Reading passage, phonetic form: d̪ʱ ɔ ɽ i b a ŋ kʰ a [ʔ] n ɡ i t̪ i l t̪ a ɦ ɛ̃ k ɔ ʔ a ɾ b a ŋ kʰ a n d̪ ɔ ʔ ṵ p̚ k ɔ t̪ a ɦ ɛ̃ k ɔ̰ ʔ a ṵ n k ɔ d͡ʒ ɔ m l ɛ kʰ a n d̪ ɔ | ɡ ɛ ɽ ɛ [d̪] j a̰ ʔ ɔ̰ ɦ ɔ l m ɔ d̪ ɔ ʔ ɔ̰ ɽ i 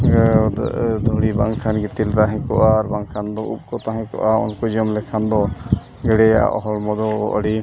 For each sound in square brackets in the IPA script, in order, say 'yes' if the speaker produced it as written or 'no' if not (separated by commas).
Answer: no, no